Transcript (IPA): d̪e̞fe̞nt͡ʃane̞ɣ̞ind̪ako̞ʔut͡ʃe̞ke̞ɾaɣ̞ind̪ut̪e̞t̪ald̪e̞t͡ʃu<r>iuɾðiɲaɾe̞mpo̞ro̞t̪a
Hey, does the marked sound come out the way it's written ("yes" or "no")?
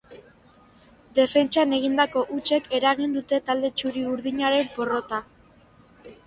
no